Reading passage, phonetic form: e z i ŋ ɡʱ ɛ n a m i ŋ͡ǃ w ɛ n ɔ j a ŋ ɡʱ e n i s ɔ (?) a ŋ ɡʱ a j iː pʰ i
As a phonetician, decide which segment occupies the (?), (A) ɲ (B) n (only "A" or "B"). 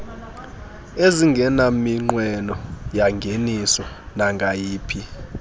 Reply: B